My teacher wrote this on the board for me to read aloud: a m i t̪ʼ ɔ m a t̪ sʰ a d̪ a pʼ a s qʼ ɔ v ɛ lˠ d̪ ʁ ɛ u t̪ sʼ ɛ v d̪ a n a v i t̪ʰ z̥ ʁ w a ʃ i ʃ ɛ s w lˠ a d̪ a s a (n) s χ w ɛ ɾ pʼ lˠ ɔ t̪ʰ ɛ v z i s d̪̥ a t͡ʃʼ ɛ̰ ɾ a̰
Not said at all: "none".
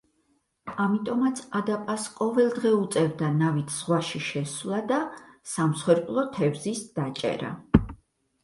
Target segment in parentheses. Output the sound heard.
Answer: m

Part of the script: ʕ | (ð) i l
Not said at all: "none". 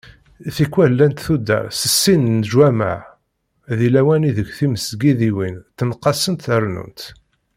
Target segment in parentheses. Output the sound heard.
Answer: ð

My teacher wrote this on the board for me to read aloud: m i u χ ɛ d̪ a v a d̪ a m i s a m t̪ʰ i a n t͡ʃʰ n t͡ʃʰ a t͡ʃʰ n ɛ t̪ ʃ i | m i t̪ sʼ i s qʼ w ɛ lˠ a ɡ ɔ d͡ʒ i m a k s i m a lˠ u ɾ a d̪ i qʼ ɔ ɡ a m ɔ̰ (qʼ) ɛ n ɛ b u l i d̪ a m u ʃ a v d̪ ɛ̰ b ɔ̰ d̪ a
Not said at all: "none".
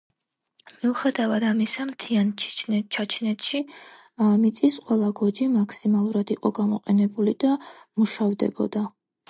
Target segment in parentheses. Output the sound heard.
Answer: qʼ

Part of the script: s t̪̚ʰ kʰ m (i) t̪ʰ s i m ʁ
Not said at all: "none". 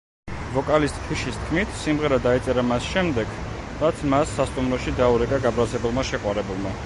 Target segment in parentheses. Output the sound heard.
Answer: i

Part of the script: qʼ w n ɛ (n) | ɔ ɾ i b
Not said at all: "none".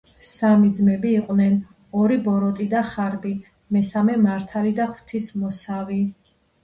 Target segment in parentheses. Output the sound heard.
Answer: n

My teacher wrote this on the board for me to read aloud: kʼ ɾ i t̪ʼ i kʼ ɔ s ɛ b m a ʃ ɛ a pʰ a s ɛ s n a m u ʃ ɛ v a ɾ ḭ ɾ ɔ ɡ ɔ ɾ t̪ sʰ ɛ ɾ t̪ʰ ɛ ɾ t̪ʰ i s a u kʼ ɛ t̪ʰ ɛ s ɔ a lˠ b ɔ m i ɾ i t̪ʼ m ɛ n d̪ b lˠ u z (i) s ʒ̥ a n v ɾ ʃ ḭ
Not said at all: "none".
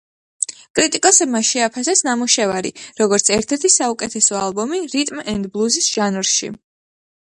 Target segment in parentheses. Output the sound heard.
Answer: i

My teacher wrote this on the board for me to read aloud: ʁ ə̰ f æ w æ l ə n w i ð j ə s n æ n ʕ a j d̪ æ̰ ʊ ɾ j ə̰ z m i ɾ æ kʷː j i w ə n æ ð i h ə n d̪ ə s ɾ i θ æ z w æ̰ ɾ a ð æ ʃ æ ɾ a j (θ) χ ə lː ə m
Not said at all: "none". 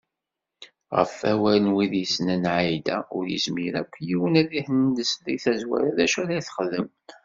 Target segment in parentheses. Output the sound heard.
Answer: θ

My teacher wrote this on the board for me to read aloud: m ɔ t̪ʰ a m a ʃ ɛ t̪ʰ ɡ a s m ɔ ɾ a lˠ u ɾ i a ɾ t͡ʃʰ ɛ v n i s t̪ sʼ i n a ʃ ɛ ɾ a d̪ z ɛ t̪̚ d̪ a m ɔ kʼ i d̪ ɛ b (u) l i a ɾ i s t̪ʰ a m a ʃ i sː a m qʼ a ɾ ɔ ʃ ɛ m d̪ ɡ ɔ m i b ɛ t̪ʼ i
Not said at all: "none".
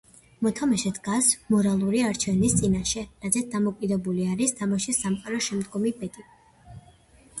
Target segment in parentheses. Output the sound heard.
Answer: u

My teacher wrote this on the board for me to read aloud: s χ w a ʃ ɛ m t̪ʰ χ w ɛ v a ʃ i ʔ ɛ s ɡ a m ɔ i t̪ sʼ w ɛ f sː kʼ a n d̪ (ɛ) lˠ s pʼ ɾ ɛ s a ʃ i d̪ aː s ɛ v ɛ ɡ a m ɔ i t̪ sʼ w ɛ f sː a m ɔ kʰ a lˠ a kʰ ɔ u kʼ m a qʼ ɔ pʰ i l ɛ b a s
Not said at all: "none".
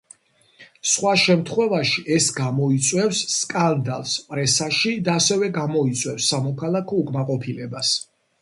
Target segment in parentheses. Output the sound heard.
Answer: a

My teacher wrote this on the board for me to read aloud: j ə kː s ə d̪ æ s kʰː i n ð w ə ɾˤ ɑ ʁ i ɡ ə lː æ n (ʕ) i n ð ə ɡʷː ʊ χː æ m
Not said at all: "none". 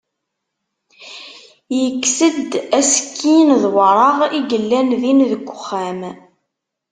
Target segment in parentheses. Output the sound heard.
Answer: ð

